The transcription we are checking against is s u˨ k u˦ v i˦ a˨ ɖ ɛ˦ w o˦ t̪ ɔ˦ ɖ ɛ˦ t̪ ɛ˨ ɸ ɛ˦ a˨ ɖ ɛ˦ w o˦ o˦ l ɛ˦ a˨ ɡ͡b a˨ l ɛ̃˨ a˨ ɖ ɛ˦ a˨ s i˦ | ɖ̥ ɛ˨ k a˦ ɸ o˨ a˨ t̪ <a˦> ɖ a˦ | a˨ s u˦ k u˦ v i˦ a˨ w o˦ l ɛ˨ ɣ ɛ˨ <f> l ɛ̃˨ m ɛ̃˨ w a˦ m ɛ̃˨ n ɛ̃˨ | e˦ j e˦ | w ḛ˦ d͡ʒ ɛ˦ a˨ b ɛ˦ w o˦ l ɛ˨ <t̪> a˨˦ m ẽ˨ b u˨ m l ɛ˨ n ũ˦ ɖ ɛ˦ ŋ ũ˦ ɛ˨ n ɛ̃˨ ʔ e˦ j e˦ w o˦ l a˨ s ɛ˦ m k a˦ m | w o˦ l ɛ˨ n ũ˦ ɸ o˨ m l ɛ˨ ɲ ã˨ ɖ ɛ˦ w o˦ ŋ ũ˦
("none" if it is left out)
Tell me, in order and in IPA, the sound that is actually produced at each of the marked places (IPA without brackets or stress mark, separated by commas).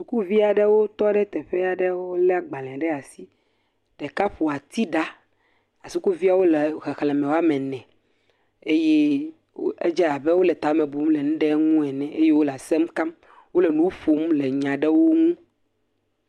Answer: i˦, x, t̪